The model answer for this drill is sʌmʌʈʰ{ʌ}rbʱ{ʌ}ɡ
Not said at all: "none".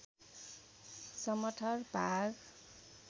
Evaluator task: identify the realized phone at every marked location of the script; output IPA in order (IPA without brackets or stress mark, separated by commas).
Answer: ʌ, a